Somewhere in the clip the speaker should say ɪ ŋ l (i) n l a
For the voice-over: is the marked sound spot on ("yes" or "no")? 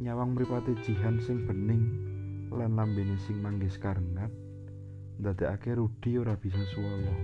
no